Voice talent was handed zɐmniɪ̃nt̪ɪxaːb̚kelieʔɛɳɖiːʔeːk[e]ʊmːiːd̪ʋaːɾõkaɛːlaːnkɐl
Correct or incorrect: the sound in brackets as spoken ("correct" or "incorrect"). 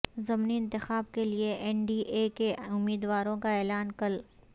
correct